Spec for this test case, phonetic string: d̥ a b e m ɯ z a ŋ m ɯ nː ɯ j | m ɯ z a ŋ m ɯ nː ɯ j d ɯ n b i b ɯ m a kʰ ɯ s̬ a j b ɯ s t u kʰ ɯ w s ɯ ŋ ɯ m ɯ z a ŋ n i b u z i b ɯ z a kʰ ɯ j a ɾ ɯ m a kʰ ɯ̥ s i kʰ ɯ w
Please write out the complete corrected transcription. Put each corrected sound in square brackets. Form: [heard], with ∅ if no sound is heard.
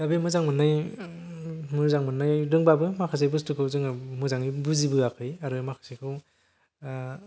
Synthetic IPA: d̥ a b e m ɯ z a ŋ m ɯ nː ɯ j | m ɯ z a ŋ m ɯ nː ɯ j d ɯ [ŋ] b [a] b ɯ m a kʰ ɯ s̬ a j b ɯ s t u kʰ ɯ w [z] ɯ ŋ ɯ m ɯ z a ŋ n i b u z i b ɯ [∅] a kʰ ɯ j a ɾ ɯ m a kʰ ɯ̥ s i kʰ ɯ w